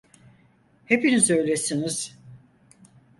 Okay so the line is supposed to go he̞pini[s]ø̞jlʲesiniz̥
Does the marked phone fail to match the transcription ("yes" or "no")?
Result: yes